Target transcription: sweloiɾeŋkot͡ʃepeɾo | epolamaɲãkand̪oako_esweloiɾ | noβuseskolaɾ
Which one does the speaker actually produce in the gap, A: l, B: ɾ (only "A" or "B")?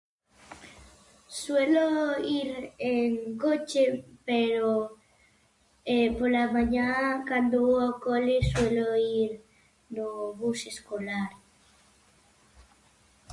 A